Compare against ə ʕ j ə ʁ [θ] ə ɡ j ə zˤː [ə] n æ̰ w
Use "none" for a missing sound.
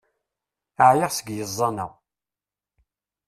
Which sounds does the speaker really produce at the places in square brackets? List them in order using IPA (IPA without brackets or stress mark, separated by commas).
s, ɑ